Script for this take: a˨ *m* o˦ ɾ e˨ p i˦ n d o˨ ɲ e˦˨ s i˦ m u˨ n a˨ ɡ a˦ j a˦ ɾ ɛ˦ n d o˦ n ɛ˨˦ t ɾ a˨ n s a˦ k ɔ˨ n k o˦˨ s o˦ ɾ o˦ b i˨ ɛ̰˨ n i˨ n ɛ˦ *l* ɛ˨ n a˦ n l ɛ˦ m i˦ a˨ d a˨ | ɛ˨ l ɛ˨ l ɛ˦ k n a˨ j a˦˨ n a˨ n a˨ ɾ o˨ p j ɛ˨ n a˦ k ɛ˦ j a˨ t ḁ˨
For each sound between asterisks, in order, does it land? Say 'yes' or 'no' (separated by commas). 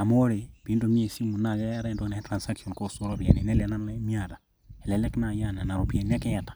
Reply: yes, yes